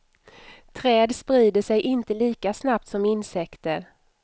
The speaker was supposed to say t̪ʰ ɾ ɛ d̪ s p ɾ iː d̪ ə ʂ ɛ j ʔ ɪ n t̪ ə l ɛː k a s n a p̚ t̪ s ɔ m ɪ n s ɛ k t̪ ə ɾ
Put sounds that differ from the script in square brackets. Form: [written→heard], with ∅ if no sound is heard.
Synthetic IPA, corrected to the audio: t̪ʰ ɾ [ɛ→ɛː] d̪ s p ɾ iː d̪ ə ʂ ɛ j ʔ ɪ n t̪ ə l [ɛː→iː] k a s n a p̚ t̪ s ɔ m ɪ n s ɛ k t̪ ə ɾ